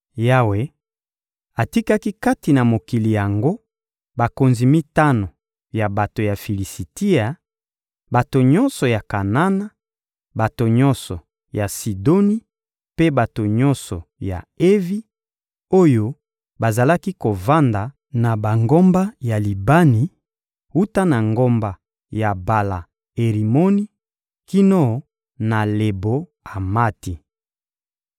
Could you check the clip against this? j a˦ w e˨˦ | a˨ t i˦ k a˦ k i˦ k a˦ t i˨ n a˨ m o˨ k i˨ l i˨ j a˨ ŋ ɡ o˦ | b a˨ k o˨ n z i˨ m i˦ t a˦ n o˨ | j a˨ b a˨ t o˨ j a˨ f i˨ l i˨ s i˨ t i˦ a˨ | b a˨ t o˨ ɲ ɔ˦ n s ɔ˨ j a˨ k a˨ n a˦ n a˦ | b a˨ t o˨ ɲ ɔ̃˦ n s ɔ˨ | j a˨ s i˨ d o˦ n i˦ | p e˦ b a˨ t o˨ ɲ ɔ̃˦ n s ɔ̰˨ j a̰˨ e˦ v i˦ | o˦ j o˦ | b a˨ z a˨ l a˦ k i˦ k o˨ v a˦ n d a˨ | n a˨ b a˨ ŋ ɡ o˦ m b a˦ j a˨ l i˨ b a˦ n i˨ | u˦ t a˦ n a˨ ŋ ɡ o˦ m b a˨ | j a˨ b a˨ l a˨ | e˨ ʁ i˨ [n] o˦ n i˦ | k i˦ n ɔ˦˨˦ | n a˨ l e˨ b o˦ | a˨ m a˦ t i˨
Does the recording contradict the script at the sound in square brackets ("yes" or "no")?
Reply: yes